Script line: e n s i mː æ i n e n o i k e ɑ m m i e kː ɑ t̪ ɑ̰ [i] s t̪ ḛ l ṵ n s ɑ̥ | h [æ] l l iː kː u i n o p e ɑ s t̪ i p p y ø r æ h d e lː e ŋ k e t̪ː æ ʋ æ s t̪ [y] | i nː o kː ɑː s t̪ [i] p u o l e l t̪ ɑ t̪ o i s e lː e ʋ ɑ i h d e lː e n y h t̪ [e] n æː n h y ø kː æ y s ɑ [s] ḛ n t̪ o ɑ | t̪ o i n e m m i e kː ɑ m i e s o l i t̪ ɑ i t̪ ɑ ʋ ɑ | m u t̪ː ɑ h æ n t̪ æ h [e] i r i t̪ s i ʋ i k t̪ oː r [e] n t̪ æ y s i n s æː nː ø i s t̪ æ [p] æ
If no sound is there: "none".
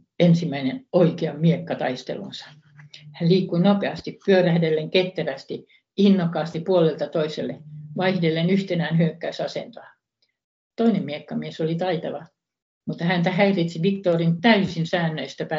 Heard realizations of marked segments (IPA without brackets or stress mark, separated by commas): i, æ, i, i, e, s, æ, i, p